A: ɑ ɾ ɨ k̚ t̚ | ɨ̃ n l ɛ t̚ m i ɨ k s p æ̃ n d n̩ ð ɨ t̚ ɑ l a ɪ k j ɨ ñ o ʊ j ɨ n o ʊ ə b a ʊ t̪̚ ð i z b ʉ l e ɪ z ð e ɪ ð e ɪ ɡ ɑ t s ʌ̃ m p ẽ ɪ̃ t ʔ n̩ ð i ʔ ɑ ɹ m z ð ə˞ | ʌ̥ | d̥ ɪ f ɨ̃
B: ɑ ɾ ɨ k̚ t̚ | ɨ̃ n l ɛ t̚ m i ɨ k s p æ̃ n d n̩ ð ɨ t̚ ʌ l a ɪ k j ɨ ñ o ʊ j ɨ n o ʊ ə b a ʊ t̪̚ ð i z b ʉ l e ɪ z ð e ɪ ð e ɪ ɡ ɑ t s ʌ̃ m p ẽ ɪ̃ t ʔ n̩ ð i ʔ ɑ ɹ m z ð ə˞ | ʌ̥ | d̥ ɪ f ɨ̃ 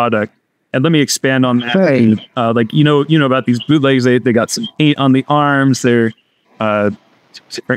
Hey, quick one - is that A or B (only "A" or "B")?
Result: B